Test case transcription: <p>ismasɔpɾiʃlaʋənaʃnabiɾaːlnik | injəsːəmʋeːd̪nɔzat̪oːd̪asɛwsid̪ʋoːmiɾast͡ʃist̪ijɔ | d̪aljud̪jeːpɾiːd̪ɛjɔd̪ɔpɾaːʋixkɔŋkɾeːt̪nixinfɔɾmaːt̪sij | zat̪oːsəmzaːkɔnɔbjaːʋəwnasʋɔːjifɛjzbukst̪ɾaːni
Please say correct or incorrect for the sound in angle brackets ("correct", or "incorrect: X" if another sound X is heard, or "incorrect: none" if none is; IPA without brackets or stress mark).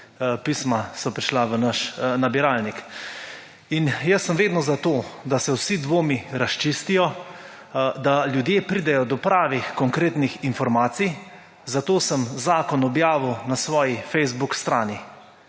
correct